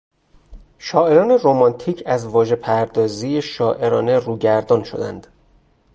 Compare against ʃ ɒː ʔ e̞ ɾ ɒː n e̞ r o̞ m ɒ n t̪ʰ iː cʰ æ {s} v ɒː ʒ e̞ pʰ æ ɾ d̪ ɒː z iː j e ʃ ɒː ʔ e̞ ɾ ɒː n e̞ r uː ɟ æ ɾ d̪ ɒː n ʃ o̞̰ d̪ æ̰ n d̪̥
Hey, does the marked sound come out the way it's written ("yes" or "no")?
no